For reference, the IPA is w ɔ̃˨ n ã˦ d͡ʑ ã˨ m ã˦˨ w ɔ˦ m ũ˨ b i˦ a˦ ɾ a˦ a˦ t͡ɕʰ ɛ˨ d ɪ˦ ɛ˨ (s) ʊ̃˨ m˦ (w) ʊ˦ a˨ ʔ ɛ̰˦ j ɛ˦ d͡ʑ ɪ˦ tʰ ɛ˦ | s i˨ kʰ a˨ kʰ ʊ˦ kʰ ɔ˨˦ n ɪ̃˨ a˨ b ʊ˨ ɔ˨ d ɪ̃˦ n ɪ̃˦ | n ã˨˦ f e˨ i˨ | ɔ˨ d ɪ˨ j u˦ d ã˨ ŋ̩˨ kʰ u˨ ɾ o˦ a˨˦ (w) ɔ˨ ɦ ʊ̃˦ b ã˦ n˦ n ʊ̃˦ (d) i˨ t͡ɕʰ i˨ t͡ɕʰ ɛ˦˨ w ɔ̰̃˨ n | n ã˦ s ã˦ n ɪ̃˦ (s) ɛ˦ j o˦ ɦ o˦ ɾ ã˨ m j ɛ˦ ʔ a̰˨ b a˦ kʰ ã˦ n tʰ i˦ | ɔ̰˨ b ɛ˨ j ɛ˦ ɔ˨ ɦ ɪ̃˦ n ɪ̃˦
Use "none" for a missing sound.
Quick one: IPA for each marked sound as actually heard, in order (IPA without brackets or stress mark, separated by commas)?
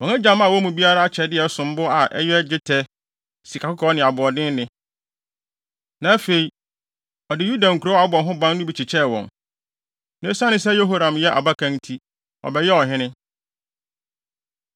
s, b, b, b, s